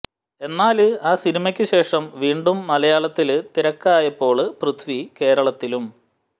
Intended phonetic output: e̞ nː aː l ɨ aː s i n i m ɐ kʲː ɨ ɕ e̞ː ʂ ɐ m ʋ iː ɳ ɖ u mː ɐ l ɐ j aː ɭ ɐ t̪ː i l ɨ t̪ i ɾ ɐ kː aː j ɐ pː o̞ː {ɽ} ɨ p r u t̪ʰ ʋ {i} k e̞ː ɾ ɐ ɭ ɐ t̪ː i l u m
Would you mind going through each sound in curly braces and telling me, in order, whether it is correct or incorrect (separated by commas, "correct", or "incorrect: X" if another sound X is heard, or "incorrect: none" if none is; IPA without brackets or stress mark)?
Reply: incorrect: ɭ, correct